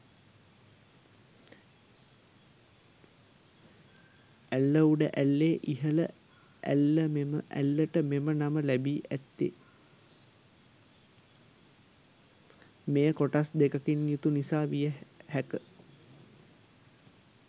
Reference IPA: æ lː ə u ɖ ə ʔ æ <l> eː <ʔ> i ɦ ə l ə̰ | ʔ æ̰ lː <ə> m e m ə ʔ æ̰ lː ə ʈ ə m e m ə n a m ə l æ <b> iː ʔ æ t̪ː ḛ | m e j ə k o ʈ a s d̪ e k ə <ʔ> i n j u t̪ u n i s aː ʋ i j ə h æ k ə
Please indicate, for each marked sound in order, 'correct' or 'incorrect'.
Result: incorrect, correct, correct, correct, incorrect

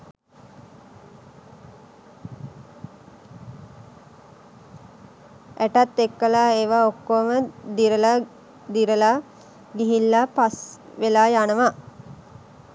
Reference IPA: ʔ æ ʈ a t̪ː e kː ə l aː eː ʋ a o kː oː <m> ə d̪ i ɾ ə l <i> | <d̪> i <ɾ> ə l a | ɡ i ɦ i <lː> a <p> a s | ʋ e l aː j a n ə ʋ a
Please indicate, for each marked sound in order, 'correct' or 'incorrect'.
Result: correct, incorrect, correct, correct, correct, correct

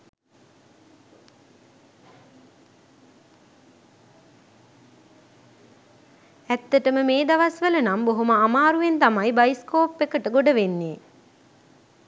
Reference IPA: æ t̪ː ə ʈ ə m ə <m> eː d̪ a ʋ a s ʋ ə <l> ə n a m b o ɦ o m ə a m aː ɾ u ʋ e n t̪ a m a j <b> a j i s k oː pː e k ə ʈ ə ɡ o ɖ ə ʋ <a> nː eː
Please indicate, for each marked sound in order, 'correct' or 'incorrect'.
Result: correct, correct, correct, incorrect

